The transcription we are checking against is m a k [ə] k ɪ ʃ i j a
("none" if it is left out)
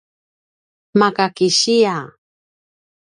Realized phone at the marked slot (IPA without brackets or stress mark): a